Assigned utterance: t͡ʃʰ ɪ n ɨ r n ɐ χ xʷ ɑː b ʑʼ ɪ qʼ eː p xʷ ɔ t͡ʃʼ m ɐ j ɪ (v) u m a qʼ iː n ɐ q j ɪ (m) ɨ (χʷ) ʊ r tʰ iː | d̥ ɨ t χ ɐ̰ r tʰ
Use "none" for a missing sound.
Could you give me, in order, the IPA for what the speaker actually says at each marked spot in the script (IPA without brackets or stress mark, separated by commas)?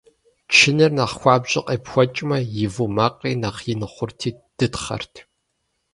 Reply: v, n, χʷ